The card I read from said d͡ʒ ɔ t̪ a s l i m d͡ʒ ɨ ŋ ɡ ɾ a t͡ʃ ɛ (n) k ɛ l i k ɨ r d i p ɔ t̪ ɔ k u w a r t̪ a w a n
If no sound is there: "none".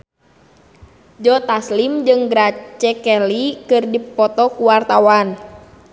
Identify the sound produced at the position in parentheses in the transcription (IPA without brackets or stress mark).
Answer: none